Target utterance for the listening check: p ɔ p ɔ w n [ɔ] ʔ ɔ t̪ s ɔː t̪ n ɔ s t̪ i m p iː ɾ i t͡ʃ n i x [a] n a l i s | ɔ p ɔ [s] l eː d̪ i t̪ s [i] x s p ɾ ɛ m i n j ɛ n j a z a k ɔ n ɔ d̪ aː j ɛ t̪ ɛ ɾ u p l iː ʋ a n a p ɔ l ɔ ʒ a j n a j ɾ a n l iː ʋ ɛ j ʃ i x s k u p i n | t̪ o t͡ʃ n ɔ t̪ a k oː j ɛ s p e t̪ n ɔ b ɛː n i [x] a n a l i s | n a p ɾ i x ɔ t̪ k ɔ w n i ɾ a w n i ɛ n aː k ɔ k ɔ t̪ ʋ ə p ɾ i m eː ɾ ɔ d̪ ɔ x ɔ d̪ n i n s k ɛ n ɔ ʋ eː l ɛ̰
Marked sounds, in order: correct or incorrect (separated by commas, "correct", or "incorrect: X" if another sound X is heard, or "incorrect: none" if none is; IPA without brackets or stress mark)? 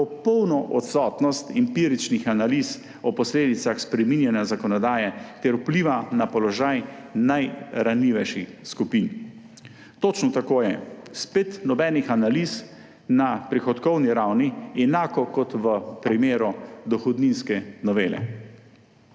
correct, correct, correct, incorrect: a, correct